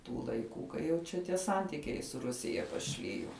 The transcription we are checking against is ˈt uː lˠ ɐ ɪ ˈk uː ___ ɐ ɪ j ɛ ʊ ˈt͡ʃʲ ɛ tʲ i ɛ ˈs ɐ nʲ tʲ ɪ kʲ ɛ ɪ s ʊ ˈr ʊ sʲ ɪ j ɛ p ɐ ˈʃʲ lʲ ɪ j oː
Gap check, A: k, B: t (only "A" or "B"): A